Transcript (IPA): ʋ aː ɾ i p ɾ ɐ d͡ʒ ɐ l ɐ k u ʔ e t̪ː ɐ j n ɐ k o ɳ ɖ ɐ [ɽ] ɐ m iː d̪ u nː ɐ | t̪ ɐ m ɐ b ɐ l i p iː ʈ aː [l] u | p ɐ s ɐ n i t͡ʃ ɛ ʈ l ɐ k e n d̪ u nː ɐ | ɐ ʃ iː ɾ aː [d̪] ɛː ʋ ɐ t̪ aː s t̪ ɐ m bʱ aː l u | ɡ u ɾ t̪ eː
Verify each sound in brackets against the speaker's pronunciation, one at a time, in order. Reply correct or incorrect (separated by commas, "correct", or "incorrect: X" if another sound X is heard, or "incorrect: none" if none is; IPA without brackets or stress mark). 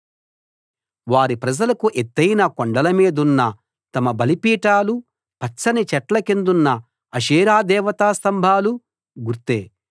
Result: incorrect: l, correct, correct